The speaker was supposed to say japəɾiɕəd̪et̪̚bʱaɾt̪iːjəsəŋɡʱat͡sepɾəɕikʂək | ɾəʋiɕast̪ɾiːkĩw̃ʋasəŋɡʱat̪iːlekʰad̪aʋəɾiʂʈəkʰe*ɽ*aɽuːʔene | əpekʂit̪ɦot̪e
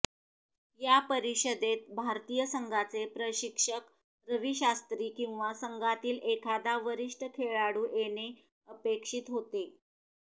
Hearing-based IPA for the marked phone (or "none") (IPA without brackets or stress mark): ɭ